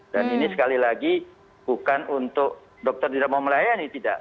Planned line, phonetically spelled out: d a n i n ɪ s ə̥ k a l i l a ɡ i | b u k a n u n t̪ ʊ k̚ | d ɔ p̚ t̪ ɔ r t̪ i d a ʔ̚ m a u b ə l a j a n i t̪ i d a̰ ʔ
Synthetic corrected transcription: d a n i n i s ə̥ k a l i l a ɡ i | b u k a n u n t̪ ʊ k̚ | d ɔ k̚ t̪ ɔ r t̪ i d a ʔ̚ m a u m ə l a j a n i t̪ i d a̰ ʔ